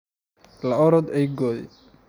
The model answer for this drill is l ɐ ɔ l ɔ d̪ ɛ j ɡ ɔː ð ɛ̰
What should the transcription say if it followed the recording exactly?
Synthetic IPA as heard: l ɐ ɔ ɾ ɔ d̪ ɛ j ɡ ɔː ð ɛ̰

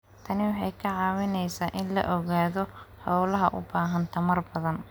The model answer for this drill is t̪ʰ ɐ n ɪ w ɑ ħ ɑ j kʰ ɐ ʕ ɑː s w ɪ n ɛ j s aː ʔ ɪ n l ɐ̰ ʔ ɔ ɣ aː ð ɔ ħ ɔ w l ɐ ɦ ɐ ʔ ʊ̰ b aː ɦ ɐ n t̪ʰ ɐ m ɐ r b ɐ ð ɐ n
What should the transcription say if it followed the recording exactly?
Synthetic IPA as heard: t̪ʰ ɐ n ɪ w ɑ ħ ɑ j kʰ ɐ ʕ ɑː w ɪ n ɛ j s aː ʔ ɪ n l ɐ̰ ʔ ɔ ɣ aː ð ɔ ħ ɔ w l ɐ ɦ ɐ ʔ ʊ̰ b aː ɦ ɐ n t̪ʰ ɐ m ɐ r b ɐ ð ɐ n

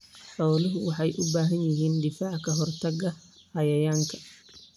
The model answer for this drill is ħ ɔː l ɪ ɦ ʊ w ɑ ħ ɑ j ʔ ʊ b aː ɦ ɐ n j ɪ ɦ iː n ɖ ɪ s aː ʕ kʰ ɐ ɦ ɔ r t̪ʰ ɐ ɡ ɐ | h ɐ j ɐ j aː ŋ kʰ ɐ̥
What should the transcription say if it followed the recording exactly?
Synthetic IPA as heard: ħ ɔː l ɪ ɦ ʊ w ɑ ħ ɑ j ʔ ʊ b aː ɦ ɐ n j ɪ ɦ iː n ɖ ɪ f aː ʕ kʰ ɐ ɦ ɔ r t̪ʰ ɐ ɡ ɐ | h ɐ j ɐ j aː ŋ kʰ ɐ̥

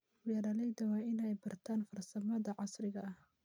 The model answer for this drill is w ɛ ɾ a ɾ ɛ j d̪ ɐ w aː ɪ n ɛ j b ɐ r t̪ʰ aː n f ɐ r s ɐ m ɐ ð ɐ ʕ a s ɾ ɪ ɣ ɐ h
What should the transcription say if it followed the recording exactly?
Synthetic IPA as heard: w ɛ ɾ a l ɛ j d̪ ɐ w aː ɪ n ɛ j b ɐ r t̪ʰ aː n f ɐ r s ɐ m ɐ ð ɐ ʕ ɑ s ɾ ɪ ɣ ɐ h

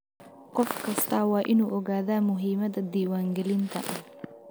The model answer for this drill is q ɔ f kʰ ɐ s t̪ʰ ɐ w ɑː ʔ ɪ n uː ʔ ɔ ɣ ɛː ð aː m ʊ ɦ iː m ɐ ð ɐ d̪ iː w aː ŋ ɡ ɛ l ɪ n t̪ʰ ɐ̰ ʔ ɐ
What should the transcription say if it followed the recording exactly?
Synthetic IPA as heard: q ɔ f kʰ ɐ s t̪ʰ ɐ w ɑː ʔ ɪ n uː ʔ ɔ ɣ aː ð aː m ʊ ɦ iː m ɐ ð ɐ d̪ iː w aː ŋ ɡ ɛ l ɪ n t̪ʰ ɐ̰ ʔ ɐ

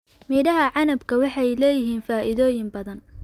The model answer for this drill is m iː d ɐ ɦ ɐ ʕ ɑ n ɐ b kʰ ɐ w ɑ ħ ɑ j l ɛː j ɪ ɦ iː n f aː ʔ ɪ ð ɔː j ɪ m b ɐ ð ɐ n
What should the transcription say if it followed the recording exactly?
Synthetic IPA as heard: m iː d ɐ ɦ ɐ ʕ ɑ n ɐ b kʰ ɐ w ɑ ħ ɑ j l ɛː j ɪ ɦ iː n f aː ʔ ɪ ð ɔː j ɪ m b ɐ ð ɐ n

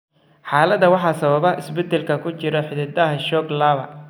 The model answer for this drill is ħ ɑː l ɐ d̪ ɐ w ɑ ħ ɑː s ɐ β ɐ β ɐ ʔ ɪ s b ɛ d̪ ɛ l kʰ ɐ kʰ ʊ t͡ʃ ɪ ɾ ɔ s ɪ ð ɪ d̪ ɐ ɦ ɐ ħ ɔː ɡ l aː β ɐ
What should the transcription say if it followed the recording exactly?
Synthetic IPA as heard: ħ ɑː l ɐ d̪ ɐ w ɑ ħ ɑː s ɐ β ɐ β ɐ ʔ ɪ s b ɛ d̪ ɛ l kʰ ɐ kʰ ʊ t͡ʃ ɪ ɾ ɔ ħ ɪ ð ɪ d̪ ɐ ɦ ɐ ʃ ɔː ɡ l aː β ɐ

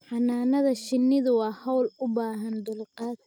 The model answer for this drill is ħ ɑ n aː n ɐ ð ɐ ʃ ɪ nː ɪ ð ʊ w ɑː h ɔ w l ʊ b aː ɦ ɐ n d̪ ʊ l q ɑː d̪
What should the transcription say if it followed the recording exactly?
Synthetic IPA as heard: ħ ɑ n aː n ɐ ð ɐ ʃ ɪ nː ɪ ð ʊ w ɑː h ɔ w l ʊ b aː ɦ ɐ n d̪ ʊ l q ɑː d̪

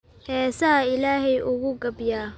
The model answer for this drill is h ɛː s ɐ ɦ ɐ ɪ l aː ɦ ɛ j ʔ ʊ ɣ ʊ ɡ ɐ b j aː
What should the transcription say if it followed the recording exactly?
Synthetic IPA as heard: h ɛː s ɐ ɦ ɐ ɪ l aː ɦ ɛ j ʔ ʊ ɣ ʊ ɡ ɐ b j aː

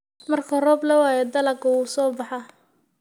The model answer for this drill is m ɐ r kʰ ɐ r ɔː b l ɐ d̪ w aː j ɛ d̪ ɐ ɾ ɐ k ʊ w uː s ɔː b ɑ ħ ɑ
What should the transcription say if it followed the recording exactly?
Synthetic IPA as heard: m ɐ r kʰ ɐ r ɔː b l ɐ w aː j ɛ d̪ ɐ l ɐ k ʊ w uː s ɔː b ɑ ħ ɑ

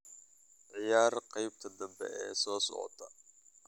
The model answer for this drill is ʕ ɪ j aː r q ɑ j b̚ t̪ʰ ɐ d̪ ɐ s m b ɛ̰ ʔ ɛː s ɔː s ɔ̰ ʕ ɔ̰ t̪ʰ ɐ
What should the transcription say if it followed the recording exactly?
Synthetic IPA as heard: ʕ ɪ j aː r q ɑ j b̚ t̪ʰ ɐ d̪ ɐ m b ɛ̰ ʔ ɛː s ɔː s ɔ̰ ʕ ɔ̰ t̪ʰ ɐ

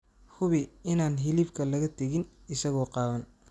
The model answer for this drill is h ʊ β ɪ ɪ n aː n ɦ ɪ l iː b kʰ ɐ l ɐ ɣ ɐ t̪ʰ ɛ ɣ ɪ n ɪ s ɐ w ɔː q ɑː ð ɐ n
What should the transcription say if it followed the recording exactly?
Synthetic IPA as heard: h ʊ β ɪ ɪ n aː n ɦ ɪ l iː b kʰ ɐ l ɐ ɣ ɐ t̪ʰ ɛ ɣ ɪ n ɪ s ɐ ɣ ɔː q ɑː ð ɐ n

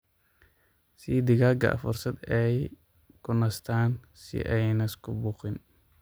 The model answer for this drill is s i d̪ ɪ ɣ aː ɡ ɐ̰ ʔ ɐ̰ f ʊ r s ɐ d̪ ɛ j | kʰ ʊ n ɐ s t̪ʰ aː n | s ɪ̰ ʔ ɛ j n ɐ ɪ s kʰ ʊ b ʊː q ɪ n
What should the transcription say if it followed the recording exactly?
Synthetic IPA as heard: s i d̪ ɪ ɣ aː ɡ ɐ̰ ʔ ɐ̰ f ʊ r s ɐ d̪ ɛ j | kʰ ʊ n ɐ s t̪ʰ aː n | s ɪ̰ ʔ ɛ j n ɐ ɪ s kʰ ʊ b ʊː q ɪ n

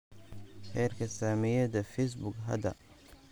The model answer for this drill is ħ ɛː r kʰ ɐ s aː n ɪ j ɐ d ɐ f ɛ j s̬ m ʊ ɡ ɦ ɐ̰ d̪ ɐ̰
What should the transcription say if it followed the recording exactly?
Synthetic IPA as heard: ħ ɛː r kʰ ɐ s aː m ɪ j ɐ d ɐ f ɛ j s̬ b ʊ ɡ ɦ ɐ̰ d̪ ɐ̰

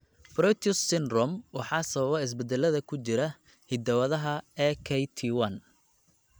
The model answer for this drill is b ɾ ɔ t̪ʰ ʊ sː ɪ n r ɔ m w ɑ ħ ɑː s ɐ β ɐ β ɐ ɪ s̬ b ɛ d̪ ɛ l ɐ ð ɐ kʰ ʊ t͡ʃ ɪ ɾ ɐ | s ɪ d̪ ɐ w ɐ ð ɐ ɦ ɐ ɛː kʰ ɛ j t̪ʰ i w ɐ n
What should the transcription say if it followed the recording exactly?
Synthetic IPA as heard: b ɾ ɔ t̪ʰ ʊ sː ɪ n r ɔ m w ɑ ħ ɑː s ɐ β ɐ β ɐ ɪ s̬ b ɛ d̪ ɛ l ɐ ð ɐ kʰ ʊ t͡ʃ ɪ ɾ ɐ | h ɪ d̪ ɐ w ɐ ð ɐ ɦ ɐ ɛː kʰ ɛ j t̪ʰ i w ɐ n

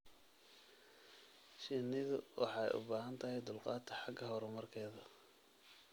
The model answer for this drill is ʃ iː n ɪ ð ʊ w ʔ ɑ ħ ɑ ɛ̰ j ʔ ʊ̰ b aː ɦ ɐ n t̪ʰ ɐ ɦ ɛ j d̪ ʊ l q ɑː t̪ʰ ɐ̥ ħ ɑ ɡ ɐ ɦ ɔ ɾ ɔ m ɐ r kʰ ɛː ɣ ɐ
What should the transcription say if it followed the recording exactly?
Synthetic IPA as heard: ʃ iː n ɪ ð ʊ w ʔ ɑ ħ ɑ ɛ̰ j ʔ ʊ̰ b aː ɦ ɐ n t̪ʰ ɐ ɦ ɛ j d̪ ʊ l q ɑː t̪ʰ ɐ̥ ħ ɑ ɡ ɐ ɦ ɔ ɾ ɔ m ɐ r kʰ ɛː ð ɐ

